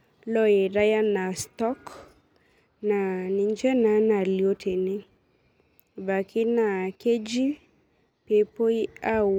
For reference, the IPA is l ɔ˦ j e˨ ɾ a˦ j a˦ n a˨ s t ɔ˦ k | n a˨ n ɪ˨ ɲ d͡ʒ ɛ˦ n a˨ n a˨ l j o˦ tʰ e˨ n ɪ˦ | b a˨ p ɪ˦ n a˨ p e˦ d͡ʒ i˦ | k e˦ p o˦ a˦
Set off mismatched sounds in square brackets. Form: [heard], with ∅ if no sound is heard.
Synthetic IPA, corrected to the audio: l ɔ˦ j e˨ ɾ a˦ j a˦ n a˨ s t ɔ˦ k | n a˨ n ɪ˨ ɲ d͡ʒ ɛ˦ n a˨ n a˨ l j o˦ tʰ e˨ n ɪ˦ | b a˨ [k] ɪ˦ n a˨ [k] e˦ d͡ʒ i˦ | [p] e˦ p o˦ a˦